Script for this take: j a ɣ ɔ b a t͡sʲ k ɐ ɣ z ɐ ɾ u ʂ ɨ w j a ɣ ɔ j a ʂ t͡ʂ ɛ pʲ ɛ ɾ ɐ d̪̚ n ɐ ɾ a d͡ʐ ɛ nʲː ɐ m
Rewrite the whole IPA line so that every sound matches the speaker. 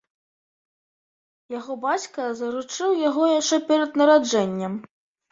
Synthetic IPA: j a ɣ ɔ b a t͡sʲ k ɐ z ɐ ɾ u t͡ʂ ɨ w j a ɣ ɔ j a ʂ t͡ʂ ɛ pʲ ɛ ɾ ɐ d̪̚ n ɐ ɾ a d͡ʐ ɛ nʲː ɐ m